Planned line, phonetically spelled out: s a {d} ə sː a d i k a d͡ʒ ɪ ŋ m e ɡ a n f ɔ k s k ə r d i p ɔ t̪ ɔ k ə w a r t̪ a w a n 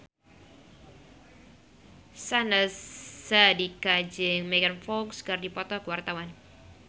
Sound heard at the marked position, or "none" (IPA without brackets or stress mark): n